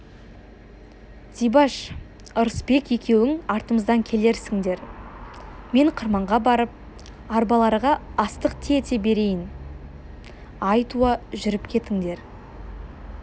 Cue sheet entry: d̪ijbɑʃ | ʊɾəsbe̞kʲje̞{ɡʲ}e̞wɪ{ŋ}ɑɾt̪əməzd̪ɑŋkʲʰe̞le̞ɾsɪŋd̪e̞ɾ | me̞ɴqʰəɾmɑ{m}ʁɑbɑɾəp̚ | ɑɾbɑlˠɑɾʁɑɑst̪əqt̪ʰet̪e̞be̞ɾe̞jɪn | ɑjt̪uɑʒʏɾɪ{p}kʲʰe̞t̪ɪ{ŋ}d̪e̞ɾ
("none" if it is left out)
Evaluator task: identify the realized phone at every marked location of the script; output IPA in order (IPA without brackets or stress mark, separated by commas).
kʲ, ŋ, ɴ, p, ŋ